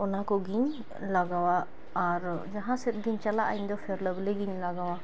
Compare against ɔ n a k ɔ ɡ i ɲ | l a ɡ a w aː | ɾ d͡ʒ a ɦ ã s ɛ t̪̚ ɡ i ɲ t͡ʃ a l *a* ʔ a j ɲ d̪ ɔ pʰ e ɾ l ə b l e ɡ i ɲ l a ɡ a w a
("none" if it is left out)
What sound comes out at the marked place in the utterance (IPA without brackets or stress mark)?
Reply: a